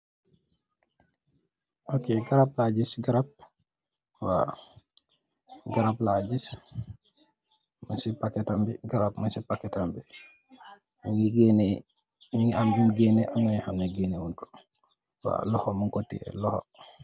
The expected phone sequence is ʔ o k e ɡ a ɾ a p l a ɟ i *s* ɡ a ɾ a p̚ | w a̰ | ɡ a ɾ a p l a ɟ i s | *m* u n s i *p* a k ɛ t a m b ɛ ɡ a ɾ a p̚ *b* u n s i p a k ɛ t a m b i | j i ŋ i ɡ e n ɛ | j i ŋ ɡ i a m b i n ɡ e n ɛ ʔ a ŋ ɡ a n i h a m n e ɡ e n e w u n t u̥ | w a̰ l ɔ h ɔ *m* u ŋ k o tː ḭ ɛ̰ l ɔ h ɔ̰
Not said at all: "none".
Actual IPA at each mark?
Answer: s, m, p, m, m

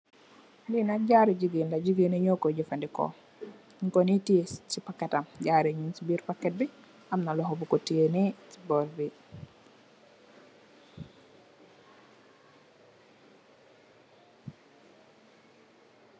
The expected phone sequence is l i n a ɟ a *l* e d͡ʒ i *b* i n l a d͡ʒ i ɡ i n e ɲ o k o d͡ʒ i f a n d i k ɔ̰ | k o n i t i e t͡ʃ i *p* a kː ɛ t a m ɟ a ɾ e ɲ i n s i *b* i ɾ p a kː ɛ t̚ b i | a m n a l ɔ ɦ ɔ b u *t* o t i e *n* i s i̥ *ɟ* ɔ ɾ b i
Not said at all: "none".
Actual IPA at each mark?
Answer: ɾ, ɡ, p, b, k, n, b

